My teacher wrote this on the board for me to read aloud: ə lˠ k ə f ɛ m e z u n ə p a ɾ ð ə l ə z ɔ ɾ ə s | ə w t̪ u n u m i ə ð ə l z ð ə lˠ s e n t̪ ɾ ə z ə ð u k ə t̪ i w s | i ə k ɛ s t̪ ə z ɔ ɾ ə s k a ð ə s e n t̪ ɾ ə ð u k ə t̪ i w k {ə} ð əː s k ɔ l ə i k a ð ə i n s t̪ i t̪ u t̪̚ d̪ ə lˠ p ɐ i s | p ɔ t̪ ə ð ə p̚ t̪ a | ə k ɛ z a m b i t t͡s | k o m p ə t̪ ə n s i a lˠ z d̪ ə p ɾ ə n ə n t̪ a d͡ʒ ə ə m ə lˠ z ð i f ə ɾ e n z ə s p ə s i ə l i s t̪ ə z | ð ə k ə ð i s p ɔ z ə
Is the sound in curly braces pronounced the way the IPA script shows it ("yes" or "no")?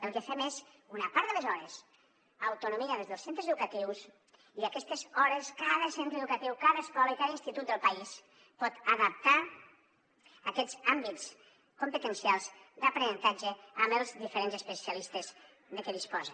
no